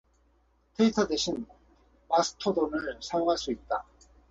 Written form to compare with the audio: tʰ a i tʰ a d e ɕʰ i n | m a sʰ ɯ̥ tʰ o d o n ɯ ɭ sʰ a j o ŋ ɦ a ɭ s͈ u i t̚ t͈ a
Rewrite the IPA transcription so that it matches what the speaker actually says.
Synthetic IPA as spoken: tʰ e i tʰ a d e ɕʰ i n | m a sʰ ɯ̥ tʰ o d o n ɯ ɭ sʰ a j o ŋ ɦ a ɭ s͈ u i t̚ t͈ a